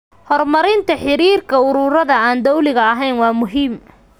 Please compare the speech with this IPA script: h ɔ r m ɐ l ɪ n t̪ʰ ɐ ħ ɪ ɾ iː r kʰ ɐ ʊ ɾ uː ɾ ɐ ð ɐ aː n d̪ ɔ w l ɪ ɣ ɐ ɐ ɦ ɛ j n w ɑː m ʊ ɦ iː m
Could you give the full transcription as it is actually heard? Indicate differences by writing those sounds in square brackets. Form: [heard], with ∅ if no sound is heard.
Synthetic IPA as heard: h ɔ r m ɐ [ɾ] ɪ n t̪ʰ ɐ ħ ɪ ɾ iː r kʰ ɐ ʊ ɾ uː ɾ ɐ ð ɐ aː n d̪ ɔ w l ɪ ɣ ɐ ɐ ɦ ɛ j n w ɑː m ʊ ɦ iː m

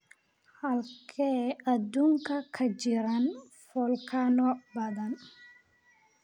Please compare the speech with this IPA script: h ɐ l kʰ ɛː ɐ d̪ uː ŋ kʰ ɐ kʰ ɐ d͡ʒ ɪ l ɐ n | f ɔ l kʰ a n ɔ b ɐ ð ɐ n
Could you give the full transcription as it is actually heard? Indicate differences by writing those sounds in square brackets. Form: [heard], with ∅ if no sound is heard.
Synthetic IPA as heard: h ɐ l kʰ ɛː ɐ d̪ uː ŋ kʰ ɐ kʰ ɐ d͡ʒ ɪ [ɾ] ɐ n | f ɔ l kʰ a n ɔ b ɐ ð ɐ n

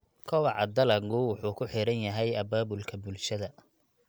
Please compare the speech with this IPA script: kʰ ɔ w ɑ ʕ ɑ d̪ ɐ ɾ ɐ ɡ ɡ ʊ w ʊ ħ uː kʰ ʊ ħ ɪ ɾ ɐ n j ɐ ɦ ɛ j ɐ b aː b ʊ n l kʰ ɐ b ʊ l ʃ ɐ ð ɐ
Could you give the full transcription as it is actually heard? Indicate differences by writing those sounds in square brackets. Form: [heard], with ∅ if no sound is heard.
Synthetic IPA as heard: kʰ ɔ w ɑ ʕ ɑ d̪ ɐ [l] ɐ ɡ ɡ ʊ w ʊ ħ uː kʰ ʊ ħ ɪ ɾ ɐ n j ɐ ɦ ɛ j ɐ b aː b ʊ [∅] l kʰ ɐ b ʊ l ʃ ɐ ð ɐ

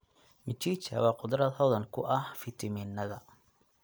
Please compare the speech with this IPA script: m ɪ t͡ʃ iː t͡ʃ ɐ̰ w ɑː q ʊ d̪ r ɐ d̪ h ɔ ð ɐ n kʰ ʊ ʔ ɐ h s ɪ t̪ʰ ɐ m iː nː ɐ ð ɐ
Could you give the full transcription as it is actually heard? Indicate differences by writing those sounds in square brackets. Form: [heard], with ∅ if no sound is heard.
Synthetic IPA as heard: m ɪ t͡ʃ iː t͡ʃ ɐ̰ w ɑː q ʊ d̪ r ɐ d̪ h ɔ ð ɐ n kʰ ʊ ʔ ɐ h [f] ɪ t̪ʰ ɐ m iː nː ɐ ð ɐ

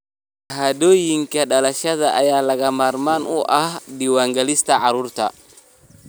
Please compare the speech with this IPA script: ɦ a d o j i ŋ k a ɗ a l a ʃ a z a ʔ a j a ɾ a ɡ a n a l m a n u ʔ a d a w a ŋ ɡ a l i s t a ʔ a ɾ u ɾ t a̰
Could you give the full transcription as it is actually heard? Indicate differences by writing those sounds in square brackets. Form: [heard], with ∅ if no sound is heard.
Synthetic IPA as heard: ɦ a d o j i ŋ k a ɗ a l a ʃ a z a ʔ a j a [l] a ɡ a [m] a [ɾ] m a n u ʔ a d [i] w a ŋ ɡ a l i s t a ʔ a ɾ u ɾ t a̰

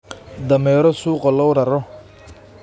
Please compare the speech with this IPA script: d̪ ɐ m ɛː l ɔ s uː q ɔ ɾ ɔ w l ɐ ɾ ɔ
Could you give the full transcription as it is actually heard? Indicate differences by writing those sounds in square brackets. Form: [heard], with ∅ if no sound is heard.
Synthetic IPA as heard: d̪ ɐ m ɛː [ɾ] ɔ s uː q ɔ [l] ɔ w [ɾ] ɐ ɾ ɔ

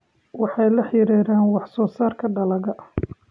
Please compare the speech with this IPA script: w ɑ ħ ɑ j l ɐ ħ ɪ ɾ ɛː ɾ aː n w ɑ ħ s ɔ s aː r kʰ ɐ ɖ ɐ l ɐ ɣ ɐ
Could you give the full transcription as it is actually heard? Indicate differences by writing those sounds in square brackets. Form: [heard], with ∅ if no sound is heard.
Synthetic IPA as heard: w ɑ ħ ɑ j l ɐ ħ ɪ ɾ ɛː ɾ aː n w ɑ ħ s [ɔː] s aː r kʰ ɐ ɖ ɐ l ɐ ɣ ɐ

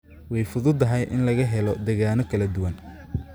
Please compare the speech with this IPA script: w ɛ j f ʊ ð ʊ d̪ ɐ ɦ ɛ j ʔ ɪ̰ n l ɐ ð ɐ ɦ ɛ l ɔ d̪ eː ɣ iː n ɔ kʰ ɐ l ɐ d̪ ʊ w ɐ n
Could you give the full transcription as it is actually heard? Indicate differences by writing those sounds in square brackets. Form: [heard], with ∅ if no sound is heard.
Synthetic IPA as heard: w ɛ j f ʊ ð ʊ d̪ ɐ ɦ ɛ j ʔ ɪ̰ n l ɐ [ɣ] ɐ ɦ ɛ l ɔ d̪ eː ɣ [aː] n ɔ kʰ ɐ l ɐ d̪ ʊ w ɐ n

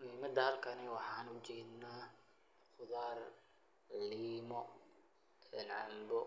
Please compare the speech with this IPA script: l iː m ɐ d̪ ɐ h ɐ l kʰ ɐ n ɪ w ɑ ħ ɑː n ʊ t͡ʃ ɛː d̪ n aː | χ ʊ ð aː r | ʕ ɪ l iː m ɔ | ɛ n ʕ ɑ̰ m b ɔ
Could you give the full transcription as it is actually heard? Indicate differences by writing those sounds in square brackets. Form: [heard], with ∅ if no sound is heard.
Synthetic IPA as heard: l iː m ɐ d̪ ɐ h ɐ l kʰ ɐ n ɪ w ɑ ħ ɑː n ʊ t͡ʃ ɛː d̪ n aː | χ ʊ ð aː r | ʕ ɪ l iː m ɔ | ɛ n ʕ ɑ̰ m b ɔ

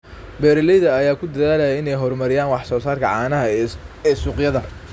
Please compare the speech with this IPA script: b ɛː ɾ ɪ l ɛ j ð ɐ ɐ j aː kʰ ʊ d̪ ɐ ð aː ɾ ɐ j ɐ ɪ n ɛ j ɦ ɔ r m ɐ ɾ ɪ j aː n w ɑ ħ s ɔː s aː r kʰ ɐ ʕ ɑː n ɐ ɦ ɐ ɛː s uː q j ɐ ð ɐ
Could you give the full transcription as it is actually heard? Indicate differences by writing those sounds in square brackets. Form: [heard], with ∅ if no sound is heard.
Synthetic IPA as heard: b ɛː ɾ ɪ l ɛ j ð ɐ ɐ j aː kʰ ʊ d̪ ɐ ð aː [l] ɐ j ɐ ɪ n ɛ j ɦ ɔ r m ɐ ɾ ɪ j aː n w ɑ ħ s ɔː s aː r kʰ ɐ ʕ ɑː n ɐ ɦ ɐ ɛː s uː q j ɐ ð ɐ

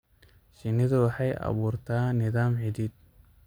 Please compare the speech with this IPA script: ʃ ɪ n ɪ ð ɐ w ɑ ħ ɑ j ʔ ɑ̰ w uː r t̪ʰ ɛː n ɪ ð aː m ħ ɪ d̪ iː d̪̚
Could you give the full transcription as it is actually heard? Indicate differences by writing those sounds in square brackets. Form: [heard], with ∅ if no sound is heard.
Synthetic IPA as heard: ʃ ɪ n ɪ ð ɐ w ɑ ħ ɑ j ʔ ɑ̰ [β] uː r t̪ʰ [aː] n ɪ ð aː m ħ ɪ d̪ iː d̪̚

